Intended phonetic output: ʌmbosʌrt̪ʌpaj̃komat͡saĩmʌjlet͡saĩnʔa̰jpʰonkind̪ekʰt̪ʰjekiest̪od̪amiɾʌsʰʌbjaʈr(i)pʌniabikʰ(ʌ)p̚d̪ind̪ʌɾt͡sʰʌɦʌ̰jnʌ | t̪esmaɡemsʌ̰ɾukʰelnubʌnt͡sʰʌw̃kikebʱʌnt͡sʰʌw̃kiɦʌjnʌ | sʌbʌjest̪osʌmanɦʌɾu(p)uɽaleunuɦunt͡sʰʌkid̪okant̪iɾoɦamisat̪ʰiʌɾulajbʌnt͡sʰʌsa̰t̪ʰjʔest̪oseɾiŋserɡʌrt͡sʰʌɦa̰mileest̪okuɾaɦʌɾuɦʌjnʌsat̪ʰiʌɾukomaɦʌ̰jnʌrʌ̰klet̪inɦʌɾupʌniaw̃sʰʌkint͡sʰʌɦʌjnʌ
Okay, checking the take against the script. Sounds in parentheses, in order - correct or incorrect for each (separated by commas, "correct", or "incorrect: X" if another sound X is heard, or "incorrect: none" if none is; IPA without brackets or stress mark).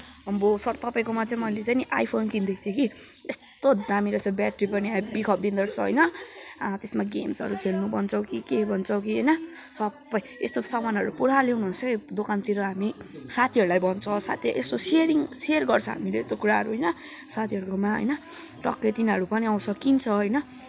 correct, correct, correct